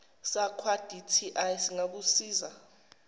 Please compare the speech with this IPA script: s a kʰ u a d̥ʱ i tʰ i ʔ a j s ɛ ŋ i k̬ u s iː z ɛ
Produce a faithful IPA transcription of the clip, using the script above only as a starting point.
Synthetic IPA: s a kʰ w a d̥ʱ i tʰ i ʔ a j s i ŋ a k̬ u s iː z a